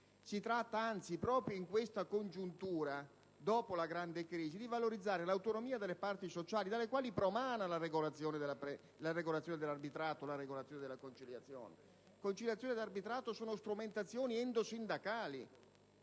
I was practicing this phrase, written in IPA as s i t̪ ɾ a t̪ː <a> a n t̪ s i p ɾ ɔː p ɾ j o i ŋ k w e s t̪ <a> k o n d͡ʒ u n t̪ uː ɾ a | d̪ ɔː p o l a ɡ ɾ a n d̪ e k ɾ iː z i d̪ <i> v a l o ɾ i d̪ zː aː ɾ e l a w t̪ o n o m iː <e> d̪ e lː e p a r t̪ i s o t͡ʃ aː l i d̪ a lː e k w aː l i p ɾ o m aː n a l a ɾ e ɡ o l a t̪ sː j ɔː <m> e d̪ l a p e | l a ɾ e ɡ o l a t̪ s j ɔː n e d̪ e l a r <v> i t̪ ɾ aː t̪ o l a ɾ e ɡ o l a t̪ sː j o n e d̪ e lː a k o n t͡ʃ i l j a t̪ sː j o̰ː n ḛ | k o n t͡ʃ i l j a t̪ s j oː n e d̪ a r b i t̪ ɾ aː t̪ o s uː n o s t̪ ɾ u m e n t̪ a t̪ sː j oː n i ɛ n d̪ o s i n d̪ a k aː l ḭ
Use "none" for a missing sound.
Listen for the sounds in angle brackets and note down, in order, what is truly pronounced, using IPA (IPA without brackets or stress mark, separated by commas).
a, a, i, a, n, b